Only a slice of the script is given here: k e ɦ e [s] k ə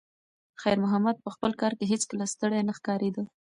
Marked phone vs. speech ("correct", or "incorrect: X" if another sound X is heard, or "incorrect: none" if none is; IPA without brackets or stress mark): incorrect: t͡s